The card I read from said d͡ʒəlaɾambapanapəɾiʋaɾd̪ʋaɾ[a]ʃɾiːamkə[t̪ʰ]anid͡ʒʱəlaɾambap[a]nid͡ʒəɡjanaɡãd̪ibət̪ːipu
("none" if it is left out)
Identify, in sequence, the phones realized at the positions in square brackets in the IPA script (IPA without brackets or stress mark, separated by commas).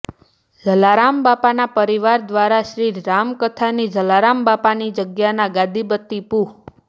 a, t̪ʰ, a